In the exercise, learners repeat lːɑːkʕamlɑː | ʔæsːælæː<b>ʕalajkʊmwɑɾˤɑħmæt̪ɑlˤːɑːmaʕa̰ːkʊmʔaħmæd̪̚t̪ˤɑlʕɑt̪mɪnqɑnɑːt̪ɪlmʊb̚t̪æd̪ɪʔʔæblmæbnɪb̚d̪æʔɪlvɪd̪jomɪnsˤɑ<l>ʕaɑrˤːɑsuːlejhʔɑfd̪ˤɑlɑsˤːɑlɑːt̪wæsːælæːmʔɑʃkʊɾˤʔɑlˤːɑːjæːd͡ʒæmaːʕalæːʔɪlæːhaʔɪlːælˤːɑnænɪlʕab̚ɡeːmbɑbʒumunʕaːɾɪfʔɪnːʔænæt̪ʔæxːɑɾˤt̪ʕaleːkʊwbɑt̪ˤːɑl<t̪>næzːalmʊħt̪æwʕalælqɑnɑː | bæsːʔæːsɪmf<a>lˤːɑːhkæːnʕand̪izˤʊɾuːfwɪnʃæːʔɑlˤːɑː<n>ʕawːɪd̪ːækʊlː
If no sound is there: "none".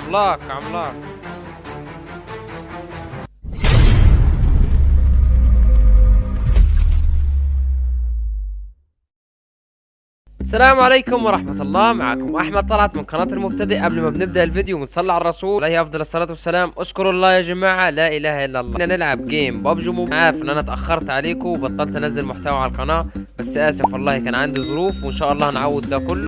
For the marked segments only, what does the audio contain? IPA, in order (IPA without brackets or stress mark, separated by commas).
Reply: m, lː, t̪, ɑ, n